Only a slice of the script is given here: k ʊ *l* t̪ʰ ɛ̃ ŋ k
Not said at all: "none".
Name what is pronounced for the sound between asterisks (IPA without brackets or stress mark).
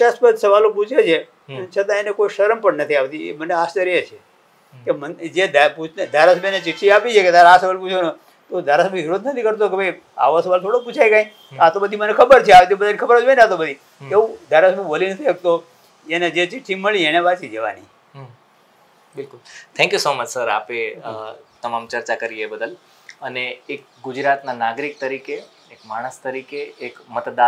l